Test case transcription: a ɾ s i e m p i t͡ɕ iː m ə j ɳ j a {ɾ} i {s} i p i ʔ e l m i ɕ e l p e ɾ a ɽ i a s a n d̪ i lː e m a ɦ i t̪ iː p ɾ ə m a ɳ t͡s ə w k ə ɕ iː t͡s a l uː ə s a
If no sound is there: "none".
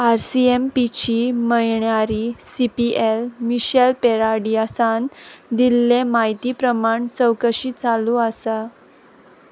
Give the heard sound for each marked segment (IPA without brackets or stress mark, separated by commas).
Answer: ɾ, s